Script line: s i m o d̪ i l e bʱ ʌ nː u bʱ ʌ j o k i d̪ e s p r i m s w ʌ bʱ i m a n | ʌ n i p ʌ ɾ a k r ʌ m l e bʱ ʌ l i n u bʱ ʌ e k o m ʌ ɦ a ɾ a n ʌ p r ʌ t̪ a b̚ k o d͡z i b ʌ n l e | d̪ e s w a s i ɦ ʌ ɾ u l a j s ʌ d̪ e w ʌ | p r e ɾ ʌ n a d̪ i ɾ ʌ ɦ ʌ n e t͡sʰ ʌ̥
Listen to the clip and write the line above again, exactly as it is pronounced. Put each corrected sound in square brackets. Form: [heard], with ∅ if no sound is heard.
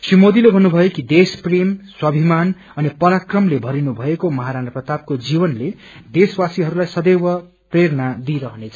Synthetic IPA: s i m o d̪ i l e bʱ ʌ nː u bʱ ʌ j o k i d̪ e s p r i m s w ʌ bʱ i m a n | ʌ n i p ʌ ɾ a k r ʌ m l e bʱ ʌ [ɾ] i n u bʱ ʌ e k o m ʌ ɦ a ɾ a n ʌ p r ʌ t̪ a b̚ k o d͡z i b ʌ n l e | d̪ e s w a s i ɦ ʌ ɾ u l a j s ʌ d̪ e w ʌ | p r e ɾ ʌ n a d̪ i ɾ ʌ ɦ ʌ n e t͡sʰ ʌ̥